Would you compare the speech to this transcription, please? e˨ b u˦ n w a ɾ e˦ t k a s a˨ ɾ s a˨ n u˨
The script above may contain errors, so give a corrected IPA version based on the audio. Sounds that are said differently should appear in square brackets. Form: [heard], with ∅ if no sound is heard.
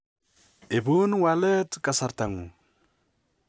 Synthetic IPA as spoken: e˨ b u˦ n w a [l] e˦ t k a s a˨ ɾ [t] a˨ [ŋ] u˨